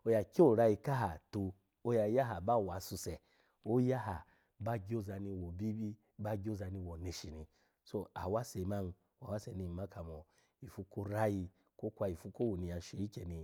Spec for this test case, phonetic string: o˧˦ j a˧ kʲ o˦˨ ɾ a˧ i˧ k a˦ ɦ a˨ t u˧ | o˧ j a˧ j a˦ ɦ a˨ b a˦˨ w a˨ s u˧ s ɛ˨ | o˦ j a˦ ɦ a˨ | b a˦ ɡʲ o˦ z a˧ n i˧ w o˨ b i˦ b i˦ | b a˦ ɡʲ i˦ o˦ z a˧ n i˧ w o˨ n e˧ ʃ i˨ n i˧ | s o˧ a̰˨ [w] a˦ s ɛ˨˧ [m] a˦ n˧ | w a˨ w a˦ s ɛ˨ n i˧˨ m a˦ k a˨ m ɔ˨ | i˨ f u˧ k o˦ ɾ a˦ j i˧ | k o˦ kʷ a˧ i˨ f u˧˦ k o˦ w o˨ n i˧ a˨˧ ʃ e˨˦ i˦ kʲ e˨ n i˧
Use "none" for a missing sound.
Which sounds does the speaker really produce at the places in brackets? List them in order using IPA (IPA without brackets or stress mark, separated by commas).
w, m